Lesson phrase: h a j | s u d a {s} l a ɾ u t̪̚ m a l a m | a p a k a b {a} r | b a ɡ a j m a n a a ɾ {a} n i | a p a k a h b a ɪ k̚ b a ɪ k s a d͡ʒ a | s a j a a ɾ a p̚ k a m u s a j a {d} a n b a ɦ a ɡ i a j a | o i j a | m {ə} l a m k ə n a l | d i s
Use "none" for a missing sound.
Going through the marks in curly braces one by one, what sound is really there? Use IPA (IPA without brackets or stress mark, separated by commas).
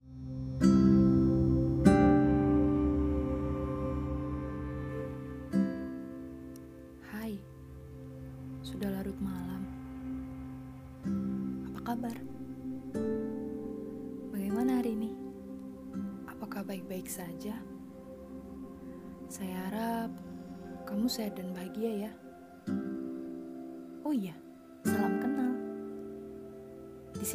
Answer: h, a, i, d, a